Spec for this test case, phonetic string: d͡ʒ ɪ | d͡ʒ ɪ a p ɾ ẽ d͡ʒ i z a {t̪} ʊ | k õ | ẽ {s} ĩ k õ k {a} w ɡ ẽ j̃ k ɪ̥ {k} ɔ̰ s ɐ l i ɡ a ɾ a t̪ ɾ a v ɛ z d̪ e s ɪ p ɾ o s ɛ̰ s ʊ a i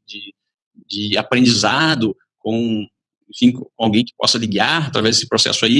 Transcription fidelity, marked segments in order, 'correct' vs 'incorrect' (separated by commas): incorrect, incorrect, correct, incorrect